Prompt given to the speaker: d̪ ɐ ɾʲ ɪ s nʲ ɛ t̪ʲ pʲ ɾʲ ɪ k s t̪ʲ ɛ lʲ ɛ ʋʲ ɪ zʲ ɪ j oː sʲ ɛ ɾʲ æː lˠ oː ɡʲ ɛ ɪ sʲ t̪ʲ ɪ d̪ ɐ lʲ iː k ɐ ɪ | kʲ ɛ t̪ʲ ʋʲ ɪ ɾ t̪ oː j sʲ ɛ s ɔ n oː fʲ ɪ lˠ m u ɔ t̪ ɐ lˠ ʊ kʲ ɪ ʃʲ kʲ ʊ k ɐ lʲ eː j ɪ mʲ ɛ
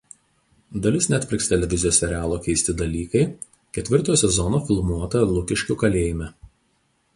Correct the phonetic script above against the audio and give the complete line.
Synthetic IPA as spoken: d̪ ɐ lʲ ɪ s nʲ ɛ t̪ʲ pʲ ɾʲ ɪ k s t̪ʲ ɛ lʲ ɛ ʋʲ ɪ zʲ ɪ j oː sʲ ɛ ɾʲ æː lˠ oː kʲ ɛ ɪ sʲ t̪ʲ ɪ d̪ ɐ lʲ iː k ɐ ɪ | kʲ ɛ t̪ʲ ʋʲ ɪ ɾ t̪ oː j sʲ ɛ z ɔ n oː fʲ ɪ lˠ m u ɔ t̪ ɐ lˠ ʊ kʲ ɪ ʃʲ kʲ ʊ k ɐ lʲ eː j ɪ mʲ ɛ